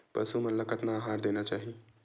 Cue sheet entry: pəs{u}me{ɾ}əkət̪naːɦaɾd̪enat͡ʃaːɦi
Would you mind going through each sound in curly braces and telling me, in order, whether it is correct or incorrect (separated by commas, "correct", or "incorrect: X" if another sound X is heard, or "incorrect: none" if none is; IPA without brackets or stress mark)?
correct, incorrect: l